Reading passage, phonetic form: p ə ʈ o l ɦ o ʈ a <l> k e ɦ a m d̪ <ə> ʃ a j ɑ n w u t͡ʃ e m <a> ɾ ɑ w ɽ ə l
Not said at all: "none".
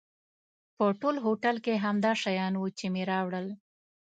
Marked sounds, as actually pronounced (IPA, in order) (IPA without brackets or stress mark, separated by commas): l, ɑ, e